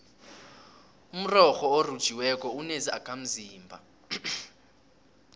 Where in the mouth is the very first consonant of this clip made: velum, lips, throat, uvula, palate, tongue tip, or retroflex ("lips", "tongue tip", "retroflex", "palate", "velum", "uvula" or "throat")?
lips